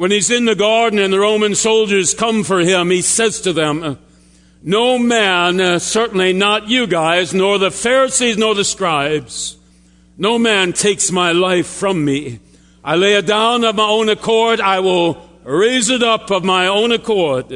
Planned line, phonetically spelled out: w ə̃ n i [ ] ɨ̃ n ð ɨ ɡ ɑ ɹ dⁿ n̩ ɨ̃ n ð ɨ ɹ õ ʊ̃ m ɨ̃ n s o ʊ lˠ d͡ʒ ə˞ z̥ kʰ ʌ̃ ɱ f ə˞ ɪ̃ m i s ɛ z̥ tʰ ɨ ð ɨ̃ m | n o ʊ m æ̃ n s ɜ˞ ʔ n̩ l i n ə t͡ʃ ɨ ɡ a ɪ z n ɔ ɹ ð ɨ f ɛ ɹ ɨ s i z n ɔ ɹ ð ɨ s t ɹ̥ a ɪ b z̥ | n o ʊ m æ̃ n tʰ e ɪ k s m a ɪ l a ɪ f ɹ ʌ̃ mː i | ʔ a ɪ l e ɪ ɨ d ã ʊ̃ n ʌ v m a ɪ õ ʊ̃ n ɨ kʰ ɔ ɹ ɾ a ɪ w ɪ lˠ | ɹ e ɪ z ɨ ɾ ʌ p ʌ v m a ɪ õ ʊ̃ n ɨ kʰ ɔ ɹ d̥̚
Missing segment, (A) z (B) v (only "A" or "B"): A